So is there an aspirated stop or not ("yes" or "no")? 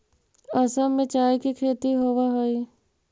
yes